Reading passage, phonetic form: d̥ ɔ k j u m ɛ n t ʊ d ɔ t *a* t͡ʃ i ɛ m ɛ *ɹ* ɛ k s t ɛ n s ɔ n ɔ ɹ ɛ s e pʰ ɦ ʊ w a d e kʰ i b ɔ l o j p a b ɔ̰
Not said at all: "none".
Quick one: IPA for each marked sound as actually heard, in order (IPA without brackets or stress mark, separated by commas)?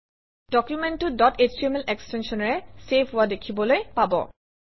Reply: e, l